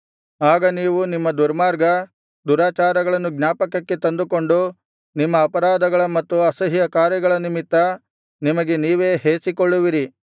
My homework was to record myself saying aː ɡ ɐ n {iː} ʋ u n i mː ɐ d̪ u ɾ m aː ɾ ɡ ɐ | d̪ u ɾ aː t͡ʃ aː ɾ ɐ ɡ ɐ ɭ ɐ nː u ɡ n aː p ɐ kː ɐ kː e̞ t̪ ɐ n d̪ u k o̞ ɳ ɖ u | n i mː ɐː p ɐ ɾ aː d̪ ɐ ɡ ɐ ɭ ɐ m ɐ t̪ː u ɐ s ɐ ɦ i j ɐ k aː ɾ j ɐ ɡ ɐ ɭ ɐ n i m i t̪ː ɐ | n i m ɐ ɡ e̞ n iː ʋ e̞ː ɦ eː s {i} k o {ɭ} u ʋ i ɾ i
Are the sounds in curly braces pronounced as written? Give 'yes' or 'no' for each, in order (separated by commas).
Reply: yes, yes, no